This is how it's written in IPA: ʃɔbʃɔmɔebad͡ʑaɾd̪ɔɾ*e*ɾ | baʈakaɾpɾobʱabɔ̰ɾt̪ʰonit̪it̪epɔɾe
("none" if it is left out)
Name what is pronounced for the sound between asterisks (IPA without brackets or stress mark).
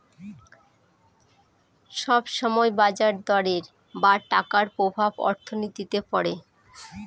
e